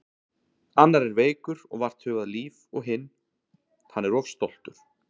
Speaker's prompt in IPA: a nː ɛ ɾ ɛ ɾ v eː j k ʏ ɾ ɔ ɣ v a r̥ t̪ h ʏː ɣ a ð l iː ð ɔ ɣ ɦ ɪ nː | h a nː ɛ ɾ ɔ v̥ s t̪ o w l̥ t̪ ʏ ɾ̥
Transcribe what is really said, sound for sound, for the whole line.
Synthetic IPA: a nː a ɾ ɛ ɾ v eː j k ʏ ɾ ɔ ɣ v a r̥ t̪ h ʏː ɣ a ð l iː v ɔ ɣ ɦ ɪ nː | h a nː ɛ ɾ ɔ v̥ s t̪ o w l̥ t̪ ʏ ɾ̥